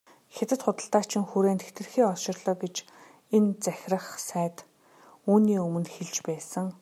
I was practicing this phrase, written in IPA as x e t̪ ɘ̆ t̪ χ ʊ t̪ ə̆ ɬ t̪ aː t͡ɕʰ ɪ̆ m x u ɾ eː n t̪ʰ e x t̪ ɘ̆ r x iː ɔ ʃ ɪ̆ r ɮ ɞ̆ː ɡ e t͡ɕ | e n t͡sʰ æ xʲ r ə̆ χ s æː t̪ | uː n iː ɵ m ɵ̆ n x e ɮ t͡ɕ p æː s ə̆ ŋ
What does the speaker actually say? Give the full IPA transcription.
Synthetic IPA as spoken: x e t̪ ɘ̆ t̪ χ ʊ t̪ ə̆ ɬ t̪ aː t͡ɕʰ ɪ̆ ŋ x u ɾ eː n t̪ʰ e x t̪ ɘ̆ r x iː ɔ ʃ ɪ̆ r ɮ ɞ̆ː ɡ e t͡ɕ | e n t͡s æ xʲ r ə̆ χ s æː t̪ | uː n iː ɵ m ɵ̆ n x e ɮ t͡ɕ p æː s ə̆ ŋ